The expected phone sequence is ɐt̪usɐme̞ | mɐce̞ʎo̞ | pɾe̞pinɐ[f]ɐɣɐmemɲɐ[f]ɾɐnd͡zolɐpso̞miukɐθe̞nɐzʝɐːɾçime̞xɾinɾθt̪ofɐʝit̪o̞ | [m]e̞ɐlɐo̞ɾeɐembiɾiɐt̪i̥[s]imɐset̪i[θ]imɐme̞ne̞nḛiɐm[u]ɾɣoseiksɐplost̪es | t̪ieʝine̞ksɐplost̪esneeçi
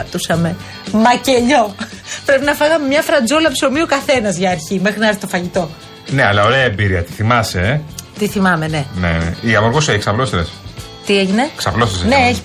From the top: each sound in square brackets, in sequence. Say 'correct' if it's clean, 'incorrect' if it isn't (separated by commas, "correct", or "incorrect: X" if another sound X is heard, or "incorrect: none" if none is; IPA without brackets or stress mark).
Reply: correct, correct, incorrect: n, incorrect: θ, correct, incorrect: o